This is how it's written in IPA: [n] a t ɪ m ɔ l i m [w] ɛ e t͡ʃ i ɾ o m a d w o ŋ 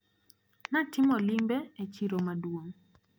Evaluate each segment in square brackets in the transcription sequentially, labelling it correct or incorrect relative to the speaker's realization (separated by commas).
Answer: correct, incorrect